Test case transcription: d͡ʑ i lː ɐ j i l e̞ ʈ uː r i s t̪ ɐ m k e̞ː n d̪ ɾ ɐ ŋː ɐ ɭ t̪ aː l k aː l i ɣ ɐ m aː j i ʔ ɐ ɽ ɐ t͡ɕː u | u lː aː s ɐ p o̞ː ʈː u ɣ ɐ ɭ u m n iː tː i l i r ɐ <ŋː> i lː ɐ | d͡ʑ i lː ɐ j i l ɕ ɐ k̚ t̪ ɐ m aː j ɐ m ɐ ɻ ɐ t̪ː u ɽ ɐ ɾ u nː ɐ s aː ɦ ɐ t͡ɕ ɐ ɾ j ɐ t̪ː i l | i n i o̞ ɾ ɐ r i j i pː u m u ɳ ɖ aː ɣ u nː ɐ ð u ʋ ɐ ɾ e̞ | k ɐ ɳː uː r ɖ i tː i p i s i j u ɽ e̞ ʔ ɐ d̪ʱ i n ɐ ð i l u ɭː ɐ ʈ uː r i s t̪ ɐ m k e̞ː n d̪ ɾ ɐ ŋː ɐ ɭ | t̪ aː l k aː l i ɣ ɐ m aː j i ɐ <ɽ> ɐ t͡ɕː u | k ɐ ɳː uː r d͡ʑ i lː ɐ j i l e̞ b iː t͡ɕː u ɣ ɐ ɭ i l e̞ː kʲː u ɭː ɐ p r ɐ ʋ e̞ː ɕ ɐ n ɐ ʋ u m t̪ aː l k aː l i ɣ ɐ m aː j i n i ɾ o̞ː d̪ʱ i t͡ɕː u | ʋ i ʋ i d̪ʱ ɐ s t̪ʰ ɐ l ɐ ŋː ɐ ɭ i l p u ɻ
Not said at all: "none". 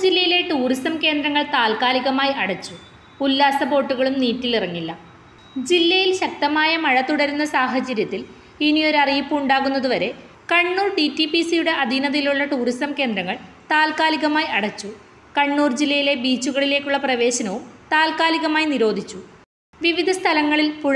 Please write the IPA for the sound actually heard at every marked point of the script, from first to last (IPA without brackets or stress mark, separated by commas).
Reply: ŋː, ɽ